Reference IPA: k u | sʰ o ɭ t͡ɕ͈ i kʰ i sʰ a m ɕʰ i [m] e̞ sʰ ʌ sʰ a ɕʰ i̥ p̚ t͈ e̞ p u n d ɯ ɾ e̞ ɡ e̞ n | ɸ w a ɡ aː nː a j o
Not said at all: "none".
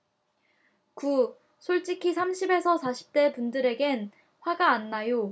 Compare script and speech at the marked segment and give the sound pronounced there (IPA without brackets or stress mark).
b